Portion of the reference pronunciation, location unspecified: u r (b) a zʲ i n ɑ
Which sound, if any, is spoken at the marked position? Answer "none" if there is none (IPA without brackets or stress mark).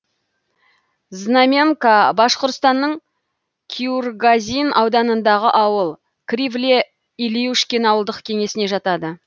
ɡ